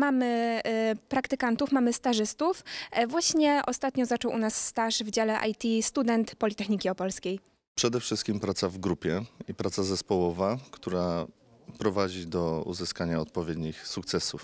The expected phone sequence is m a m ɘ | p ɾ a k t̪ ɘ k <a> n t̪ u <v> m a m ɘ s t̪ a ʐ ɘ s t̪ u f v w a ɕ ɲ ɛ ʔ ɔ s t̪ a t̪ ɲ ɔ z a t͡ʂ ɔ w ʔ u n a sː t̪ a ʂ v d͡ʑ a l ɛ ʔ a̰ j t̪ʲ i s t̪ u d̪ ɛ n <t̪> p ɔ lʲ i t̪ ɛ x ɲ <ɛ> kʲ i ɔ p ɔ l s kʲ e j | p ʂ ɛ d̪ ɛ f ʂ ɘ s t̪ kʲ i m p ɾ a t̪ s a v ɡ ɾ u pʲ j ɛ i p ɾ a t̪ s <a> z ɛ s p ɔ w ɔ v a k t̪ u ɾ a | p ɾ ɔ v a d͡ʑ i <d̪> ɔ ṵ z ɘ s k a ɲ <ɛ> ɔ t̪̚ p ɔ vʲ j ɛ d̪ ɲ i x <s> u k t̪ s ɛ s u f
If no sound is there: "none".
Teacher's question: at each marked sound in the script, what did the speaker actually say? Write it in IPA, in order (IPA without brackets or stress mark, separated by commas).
a, f, t̪, i, a, d̪, a, s